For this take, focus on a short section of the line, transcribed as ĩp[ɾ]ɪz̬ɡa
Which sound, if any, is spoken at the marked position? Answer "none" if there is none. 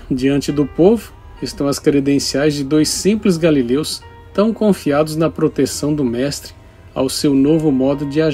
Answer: l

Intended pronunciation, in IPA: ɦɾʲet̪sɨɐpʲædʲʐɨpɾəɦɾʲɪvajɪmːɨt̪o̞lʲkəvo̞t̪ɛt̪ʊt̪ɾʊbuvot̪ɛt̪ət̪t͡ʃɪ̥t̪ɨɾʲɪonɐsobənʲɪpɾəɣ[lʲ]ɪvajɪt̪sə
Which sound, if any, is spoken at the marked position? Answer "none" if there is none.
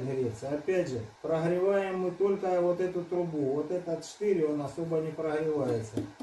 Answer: ɾʲ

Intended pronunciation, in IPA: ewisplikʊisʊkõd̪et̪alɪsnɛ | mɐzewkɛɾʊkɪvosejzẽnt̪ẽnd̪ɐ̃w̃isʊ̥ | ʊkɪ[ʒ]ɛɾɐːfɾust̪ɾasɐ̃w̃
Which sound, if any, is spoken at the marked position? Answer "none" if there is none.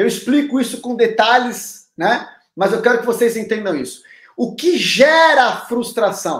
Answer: ʒ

